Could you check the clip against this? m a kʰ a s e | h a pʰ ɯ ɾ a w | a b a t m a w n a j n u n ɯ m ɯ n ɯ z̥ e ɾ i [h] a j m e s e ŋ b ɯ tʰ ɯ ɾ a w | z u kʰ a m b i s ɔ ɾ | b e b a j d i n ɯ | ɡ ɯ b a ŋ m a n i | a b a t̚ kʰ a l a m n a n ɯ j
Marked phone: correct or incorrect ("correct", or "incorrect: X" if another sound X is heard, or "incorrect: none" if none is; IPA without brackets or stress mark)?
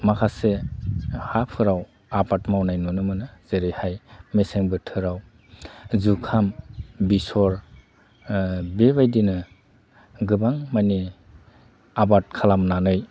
correct